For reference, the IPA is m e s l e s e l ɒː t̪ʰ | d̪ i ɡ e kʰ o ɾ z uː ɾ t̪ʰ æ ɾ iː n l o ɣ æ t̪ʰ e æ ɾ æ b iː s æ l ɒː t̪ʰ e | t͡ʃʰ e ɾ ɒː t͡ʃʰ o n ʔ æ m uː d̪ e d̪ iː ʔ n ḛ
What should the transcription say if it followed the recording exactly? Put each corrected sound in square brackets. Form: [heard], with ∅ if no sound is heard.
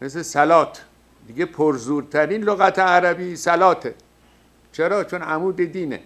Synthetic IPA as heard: m e s l e s [æ] l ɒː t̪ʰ | d̪ i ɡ e [pʰ] o ɾ z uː ɾ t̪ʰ æ ɾ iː n l o ɣ æ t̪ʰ e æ ɾ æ b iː s æ l ɒː t̪ʰ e | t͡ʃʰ e ɾ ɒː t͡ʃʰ o n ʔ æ m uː d̪ e d̪ iː [∅] n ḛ